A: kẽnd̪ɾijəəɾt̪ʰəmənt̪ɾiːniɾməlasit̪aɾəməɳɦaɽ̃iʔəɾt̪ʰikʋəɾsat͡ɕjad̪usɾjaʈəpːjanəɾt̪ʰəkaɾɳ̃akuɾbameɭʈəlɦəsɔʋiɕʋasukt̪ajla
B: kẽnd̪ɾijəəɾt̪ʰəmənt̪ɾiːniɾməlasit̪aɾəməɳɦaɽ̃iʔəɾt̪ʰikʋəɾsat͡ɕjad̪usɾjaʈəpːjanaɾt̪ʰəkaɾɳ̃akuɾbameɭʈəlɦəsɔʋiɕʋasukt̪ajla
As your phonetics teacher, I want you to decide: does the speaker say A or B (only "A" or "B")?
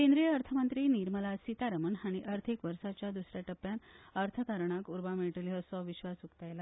A